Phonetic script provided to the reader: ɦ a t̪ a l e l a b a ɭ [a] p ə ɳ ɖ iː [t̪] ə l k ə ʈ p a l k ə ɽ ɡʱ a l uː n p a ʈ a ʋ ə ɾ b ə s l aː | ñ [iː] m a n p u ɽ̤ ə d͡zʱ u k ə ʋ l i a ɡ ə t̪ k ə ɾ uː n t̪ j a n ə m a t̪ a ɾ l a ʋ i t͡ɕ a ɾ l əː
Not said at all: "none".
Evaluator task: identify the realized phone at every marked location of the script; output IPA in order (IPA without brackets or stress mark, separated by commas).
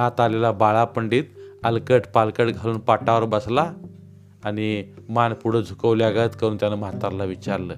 a, t̪, i